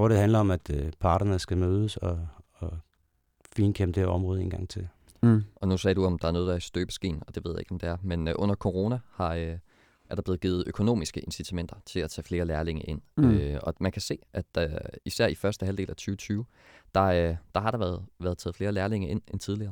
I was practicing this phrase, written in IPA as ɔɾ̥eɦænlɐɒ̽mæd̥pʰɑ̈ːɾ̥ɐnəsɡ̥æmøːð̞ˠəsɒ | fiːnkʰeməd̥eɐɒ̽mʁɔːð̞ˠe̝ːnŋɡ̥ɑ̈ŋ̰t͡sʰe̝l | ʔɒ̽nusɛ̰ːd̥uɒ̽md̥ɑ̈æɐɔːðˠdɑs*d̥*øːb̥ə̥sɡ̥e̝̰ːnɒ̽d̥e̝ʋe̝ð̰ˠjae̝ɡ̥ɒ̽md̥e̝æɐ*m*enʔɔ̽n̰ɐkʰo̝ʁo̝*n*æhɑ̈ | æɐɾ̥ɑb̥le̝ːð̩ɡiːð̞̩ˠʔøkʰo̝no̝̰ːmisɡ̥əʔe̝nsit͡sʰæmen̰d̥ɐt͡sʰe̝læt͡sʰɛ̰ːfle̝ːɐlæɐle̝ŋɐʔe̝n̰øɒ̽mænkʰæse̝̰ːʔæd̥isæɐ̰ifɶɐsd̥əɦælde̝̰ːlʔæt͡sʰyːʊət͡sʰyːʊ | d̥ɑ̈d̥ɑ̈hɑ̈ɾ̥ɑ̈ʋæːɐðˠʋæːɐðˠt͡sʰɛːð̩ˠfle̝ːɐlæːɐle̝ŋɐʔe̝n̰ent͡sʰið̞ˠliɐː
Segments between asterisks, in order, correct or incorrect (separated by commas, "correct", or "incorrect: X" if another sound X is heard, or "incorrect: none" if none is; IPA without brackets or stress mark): correct, correct, correct